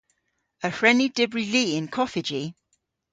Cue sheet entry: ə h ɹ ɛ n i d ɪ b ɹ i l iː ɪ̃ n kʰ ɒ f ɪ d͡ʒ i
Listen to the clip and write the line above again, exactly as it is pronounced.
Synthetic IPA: ə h ɹ ɛ n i d ɪ b ɹ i l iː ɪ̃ n kʰ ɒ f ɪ d͡ʒ i